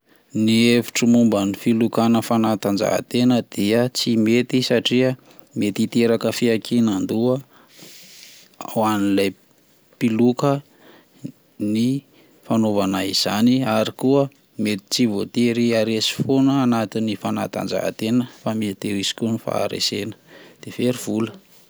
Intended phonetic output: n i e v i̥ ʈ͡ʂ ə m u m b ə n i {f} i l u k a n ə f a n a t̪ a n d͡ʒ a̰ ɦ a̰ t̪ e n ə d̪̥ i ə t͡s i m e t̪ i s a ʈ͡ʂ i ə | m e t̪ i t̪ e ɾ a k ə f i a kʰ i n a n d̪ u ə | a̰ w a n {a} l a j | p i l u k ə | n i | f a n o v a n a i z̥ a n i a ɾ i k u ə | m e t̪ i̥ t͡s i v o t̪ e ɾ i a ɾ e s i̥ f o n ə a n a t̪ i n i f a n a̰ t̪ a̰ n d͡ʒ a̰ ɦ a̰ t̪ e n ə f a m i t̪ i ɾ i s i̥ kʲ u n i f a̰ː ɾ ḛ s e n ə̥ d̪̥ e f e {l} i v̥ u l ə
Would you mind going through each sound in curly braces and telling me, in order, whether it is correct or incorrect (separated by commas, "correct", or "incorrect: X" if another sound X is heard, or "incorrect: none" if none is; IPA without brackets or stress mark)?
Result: correct, incorrect: i, incorrect: ɾ